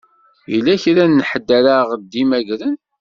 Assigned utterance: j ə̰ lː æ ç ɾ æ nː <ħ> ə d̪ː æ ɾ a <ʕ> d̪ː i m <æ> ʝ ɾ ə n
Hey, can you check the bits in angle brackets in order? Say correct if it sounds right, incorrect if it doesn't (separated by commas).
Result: correct, incorrect, correct